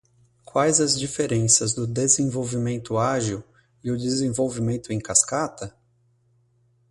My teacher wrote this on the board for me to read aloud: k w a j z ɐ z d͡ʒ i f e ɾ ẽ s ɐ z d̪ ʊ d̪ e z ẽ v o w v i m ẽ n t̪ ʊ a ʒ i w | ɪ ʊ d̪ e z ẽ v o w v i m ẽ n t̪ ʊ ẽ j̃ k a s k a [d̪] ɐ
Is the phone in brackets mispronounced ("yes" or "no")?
yes